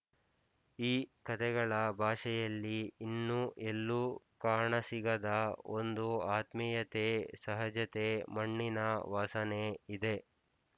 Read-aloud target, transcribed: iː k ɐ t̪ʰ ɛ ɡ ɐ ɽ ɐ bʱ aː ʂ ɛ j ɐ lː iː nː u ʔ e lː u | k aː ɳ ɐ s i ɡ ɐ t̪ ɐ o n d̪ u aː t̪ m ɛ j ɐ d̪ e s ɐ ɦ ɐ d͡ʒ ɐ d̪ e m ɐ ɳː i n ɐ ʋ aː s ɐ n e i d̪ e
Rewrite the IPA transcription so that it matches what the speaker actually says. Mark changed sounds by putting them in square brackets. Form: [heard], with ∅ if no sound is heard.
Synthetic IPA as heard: iː k ɐ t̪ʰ ɛ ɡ ɐ [ɭ] ɐ bʱ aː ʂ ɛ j ɐ lː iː nː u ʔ e lː u | k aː ɳ ɐ s i ɡ ɐ [d̪] ɐ o n d̪ u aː t̪ m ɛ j ɐ [t̪] e s ɐ ɦ ɐ d͡ʒ ɐ [t̪] e m ɐ ɳː i n ɐ ʋ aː s ɐ n e i d̪ e